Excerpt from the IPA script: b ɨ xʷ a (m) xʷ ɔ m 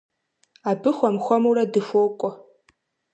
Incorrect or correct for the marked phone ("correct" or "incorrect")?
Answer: correct